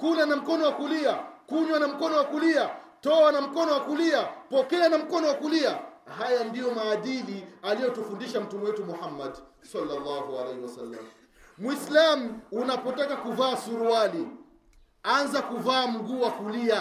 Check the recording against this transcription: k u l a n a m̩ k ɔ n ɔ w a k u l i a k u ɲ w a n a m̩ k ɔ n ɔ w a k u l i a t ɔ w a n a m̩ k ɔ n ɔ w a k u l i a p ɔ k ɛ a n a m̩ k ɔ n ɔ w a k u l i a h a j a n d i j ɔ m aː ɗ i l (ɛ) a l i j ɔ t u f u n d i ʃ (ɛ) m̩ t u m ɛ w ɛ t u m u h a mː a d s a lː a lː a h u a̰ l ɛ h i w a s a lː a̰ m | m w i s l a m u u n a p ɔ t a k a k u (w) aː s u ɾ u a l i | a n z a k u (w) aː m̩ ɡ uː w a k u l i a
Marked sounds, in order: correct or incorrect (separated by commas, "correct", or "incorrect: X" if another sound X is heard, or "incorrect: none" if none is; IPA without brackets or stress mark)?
incorrect: i, incorrect: a, incorrect: v, incorrect: v